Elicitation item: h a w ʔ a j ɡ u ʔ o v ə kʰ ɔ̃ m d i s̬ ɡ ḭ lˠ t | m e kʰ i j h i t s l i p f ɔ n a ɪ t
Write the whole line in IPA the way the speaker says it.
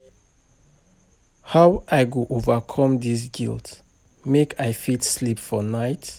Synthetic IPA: h a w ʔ a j ɡ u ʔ o v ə kʰ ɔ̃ m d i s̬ ɡ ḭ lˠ t | m e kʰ a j f i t s l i p f ɔ n a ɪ t